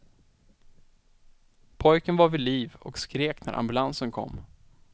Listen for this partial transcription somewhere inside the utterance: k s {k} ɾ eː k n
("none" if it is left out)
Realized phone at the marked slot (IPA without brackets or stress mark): k